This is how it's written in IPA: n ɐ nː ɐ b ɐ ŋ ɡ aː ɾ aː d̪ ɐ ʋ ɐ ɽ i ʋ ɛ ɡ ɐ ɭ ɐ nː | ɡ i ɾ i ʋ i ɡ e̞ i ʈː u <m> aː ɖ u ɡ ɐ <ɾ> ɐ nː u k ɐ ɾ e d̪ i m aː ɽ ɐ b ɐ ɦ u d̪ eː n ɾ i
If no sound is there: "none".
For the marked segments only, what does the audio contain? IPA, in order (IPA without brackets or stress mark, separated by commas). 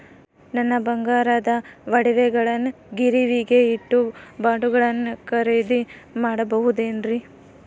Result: b, ɭ